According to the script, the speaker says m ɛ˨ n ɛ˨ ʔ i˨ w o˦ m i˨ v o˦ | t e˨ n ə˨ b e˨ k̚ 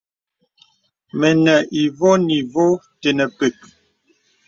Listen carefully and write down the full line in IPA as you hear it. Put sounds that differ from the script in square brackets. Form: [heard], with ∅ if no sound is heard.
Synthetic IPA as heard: m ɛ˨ n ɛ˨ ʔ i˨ [v] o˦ [n] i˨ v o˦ | t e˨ n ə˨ [p] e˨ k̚